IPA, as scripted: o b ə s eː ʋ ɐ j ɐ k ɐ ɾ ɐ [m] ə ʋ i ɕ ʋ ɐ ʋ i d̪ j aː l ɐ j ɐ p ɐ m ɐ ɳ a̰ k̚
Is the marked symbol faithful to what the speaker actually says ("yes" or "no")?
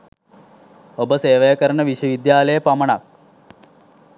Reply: no